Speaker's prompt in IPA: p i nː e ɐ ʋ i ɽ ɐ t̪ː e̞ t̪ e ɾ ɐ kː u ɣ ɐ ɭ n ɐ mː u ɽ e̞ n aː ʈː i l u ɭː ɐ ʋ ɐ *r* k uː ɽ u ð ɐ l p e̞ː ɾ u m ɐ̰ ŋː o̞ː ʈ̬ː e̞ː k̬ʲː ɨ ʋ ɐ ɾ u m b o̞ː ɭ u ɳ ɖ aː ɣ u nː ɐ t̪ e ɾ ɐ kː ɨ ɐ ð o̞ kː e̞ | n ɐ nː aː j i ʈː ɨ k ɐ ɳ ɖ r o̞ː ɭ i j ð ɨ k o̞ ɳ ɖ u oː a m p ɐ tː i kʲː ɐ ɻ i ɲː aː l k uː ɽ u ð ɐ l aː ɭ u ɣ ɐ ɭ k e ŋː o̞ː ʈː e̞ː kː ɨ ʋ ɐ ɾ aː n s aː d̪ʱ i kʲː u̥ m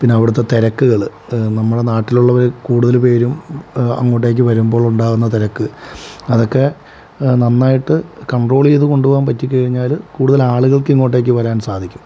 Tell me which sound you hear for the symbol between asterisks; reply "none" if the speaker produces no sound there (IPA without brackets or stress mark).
ɾ